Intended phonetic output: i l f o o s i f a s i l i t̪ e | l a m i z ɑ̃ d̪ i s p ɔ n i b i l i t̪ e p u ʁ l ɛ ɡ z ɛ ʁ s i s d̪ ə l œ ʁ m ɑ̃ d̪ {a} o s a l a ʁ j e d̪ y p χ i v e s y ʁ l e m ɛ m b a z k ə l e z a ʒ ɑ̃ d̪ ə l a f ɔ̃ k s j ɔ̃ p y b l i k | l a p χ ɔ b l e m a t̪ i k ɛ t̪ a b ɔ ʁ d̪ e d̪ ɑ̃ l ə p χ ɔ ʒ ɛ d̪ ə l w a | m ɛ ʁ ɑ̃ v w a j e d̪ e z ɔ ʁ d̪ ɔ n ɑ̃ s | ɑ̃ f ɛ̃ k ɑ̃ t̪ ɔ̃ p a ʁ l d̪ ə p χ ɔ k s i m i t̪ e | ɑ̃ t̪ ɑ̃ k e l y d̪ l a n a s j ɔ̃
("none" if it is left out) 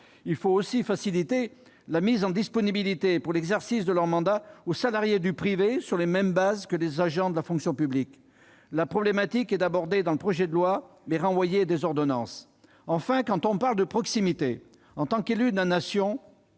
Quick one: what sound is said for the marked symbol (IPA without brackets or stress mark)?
a